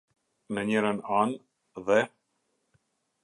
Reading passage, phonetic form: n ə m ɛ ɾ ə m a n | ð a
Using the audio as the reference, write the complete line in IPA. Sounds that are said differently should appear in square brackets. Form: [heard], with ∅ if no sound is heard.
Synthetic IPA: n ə [ɲ] ɛ ɾ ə [n] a n | ð [ɛ]